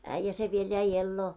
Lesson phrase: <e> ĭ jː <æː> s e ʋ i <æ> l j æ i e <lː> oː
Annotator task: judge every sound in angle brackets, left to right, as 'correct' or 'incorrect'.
incorrect: æ, incorrect: æ, incorrect: e, correct

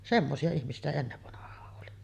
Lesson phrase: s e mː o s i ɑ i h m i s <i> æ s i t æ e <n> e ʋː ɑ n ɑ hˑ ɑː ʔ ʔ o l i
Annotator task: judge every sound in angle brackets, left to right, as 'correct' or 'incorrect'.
correct, incorrect: nː

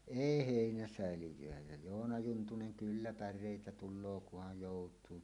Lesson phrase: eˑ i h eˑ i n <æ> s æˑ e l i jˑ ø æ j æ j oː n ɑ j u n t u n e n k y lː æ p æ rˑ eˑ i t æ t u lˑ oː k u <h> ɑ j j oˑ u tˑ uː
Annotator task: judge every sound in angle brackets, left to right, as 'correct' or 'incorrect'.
correct, correct

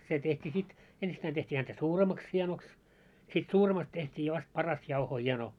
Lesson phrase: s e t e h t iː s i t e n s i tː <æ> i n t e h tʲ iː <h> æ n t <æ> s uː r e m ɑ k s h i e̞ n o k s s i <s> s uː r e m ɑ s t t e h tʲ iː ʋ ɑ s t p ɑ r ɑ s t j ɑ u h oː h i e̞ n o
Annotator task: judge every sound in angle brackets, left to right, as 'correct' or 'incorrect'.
correct, correct, correct, incorrect: t

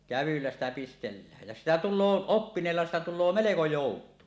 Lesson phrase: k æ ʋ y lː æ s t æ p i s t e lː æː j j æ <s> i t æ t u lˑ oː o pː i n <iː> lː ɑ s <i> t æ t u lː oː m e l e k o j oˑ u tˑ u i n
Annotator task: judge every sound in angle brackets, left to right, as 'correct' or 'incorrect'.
correct, incorrect: eː, correct

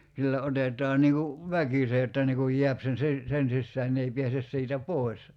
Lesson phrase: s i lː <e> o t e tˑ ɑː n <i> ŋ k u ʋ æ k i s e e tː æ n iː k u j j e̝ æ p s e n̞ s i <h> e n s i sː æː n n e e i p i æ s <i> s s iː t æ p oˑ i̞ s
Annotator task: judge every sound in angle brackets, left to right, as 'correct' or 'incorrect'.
incorrect: æ, incorrect: iː, incorrect: s, incorrect: e

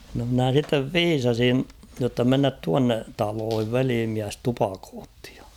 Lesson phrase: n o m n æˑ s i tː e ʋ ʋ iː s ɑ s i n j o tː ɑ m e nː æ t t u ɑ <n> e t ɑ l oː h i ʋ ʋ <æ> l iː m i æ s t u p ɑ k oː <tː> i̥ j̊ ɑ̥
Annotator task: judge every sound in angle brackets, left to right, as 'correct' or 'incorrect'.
incorrect: nː, incorrect: e, correct

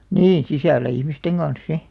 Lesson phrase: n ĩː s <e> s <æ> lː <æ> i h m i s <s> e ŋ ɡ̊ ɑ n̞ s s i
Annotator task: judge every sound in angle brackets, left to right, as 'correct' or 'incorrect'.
incorrect: i, correct, correct, incorrect: t

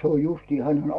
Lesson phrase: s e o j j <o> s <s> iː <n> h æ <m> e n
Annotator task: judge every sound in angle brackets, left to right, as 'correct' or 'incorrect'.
incorrect: u, incorrect: t, incorrect: none, incorrect: n

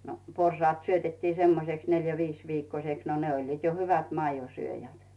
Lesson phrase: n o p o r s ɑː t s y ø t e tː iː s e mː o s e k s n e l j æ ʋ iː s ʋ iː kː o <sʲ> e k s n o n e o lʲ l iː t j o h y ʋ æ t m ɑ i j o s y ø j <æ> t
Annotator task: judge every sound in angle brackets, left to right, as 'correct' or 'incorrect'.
correct, correct

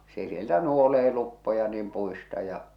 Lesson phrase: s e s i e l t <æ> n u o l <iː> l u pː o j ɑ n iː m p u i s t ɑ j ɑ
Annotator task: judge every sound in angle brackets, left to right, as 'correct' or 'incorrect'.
correct, incorrect: eː

